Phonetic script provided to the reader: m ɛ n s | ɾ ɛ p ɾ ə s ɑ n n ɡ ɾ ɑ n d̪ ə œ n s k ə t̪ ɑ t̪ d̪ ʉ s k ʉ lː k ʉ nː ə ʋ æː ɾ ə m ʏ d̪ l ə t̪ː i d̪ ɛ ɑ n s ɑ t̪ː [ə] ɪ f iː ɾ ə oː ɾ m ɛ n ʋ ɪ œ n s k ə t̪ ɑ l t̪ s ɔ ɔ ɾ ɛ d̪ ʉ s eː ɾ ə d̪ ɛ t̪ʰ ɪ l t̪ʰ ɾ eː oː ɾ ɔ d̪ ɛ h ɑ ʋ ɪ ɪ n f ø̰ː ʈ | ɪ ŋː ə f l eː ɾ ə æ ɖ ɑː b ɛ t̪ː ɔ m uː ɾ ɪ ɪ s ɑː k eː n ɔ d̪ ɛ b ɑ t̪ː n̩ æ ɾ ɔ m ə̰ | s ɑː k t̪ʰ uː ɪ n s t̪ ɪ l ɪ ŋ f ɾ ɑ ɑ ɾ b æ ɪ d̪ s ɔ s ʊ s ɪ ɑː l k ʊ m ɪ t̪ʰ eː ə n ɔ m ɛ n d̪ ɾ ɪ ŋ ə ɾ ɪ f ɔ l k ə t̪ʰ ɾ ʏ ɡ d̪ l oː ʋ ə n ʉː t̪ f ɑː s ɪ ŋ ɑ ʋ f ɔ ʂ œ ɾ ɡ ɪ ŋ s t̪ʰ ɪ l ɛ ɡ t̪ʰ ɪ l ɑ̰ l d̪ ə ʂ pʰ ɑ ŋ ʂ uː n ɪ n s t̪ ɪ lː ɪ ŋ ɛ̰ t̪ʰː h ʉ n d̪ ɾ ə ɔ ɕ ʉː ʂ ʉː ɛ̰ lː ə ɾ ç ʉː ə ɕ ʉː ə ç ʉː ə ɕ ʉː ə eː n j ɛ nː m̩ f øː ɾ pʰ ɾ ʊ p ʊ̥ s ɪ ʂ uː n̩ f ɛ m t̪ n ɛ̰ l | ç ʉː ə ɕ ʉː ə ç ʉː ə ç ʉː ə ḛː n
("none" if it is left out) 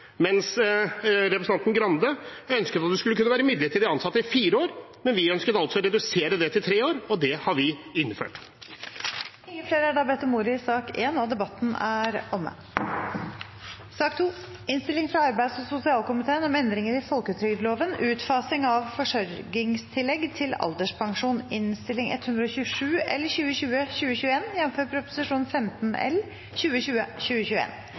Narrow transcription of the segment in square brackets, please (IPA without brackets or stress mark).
ə